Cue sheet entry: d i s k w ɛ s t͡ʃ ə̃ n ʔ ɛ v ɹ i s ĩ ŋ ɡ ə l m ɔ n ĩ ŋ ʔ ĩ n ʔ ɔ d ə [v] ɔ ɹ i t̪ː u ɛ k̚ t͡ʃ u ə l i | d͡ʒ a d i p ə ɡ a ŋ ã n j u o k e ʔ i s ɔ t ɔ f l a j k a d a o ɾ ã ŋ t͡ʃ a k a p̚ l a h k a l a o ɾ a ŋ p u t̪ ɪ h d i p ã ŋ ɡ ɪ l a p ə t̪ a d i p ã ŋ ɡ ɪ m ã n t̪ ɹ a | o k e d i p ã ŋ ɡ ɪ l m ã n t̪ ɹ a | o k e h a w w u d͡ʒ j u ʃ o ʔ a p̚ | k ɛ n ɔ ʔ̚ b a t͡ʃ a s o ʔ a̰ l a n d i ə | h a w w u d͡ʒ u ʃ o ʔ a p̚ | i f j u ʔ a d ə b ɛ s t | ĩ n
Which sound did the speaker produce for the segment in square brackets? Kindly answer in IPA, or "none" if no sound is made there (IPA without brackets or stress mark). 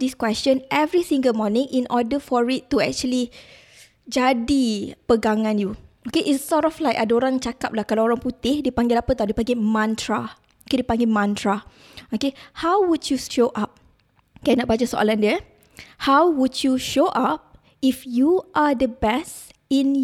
f